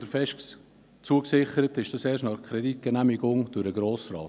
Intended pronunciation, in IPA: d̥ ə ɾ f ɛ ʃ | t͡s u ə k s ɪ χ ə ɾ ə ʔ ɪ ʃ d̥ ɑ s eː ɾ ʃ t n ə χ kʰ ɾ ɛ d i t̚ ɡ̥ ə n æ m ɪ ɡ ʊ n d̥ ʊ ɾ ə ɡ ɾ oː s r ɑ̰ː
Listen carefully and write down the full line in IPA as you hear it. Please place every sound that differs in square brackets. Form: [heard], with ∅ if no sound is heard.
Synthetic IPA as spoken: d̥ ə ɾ f ɛ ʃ | t͡s u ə k s ɪ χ ə ɾ ə [t] ɪ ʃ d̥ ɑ s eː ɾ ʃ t n [ɑ] χ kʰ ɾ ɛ d i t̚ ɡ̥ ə n æ m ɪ ɡ ʊ [ŋ] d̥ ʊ ɾ ə ɡ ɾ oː s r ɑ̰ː